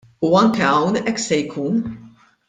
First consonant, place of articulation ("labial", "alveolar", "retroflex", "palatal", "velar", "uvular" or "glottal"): velar